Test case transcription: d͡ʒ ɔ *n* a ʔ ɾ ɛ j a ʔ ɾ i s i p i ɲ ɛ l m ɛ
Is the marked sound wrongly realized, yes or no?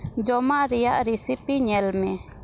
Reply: yes